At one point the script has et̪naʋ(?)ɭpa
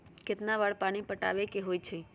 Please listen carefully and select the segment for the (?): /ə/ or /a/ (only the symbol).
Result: a